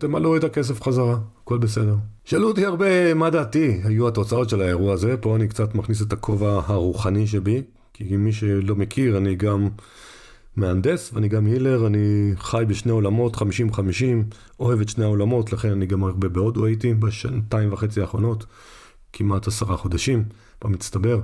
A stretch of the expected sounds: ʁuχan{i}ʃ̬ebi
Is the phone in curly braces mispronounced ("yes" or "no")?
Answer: no